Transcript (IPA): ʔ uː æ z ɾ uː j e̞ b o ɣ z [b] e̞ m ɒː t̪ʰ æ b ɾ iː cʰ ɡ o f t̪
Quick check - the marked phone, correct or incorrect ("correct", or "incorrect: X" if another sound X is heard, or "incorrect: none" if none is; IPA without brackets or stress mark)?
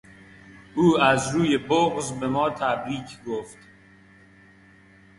correct